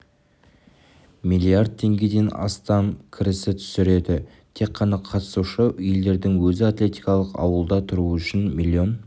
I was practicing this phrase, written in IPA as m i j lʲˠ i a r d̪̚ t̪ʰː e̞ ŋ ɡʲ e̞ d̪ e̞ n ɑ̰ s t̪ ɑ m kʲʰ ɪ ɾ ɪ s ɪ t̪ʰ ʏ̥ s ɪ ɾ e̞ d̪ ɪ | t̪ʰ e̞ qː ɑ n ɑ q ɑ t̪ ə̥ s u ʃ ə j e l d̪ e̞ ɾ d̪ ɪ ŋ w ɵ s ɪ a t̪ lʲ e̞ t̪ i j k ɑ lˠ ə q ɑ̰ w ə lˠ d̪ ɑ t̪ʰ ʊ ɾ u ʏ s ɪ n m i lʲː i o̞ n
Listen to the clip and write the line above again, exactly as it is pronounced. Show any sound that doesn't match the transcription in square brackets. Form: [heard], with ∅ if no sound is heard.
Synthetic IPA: m i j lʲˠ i a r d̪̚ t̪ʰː e̞ ŋ ɡʲ e̞ d̪ e̞ n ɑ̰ s t̪ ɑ m kʲʰ ɪ ɾ ɪ s ɪ t̪ʰ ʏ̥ s ɪ ɾ e̞ d̪ ɪ | t̪ʰ e̞ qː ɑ n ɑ [qʰ] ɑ t̪ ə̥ s u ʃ ə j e l d̪ e̞ ɾ d̪ ɪ ŋ w ɵ [z] ɪ a t̪ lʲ e̞ t̪ i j k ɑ lˠ ə q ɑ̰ w ə lˠ d̪ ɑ t̪ʰ ʊ ɾ u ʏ [ʃ] ɪ n m i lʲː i o̞ n